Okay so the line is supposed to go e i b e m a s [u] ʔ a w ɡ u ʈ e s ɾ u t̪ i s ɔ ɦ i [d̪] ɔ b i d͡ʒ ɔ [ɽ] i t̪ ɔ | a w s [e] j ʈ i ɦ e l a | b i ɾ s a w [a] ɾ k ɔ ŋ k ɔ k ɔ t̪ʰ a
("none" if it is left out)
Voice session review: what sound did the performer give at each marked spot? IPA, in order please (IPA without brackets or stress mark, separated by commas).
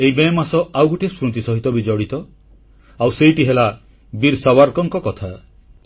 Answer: ɔ, t̪, ɽ, e, a